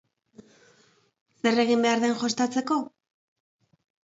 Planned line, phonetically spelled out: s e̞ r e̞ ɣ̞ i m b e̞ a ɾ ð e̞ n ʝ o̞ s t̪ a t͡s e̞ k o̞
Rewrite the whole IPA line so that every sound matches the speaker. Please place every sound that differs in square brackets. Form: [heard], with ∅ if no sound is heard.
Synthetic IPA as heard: s e̞ r e̞ ɣ̞ i m b e̞ a ɾ ð e̞ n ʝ o̞ s t̪ a t͡s e̞ k o̞